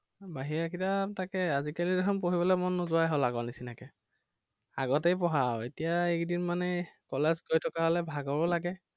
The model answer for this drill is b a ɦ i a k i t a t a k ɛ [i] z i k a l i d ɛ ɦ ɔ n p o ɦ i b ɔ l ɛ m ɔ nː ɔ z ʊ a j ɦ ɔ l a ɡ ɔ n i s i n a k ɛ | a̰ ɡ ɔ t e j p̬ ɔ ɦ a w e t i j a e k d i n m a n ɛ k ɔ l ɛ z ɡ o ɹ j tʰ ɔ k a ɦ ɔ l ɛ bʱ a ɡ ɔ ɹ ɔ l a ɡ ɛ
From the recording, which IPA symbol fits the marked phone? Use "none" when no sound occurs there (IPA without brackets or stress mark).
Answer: a